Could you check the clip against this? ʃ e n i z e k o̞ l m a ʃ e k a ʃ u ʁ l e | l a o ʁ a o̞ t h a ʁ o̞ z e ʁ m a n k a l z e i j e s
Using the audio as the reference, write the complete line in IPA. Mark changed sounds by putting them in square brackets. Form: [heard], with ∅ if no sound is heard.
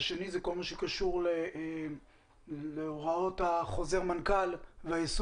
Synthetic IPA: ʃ e n i z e k o̞ l m a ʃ e k a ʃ u ʁ l e | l [e] o ʁ a o̞ t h a [χ] o̞ z e ʁ m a n k a l [v] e [a] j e s